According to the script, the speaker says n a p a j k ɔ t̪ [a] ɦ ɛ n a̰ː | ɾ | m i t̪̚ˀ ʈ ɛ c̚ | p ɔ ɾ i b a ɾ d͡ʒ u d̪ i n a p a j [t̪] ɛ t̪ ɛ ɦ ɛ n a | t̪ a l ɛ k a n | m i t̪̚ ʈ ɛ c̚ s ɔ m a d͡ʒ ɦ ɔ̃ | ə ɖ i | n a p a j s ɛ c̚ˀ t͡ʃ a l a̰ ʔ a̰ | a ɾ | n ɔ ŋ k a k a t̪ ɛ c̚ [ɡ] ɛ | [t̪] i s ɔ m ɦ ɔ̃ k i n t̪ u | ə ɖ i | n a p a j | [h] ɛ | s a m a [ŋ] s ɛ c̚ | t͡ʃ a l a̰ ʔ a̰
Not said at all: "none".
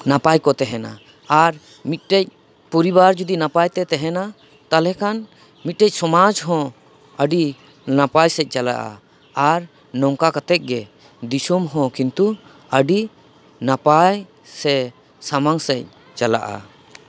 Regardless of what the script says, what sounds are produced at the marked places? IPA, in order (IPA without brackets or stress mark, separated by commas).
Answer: ɛ, t̪, ɡ, d̪, s, ŋ